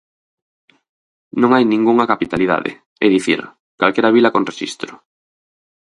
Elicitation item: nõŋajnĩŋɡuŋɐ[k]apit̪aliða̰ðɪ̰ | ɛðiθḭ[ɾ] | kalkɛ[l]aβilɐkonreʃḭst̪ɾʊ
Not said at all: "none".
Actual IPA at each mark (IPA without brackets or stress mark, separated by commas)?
k, ɾ, ɾ